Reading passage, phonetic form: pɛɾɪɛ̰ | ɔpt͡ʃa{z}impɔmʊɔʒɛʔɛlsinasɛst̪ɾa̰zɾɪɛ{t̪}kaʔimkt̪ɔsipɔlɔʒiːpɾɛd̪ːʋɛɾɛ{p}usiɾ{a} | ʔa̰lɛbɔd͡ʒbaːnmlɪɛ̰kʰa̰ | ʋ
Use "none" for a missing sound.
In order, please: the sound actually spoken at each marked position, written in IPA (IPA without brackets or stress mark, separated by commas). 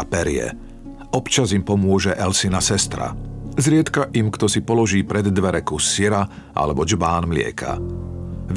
z, t̪, k, a